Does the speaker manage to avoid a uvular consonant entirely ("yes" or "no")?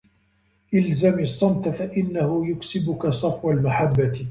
yes